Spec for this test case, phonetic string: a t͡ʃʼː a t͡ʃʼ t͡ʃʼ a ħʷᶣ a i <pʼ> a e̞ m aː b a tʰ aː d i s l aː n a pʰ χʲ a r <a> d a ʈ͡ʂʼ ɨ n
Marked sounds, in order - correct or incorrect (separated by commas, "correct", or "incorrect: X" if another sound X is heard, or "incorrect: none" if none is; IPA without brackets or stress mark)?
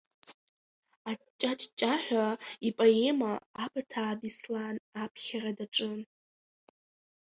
correct, correct